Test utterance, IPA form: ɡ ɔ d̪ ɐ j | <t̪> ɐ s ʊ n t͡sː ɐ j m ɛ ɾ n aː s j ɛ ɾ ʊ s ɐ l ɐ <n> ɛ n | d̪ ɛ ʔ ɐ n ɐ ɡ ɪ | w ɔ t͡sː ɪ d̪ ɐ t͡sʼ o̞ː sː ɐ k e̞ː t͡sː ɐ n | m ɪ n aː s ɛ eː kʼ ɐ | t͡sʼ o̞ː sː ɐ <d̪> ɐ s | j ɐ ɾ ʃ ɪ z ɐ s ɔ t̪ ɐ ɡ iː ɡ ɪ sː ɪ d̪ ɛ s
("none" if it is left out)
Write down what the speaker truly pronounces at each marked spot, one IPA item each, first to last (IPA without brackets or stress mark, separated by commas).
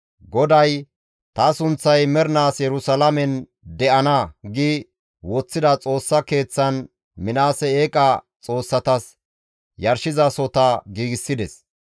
t̪, m, t̪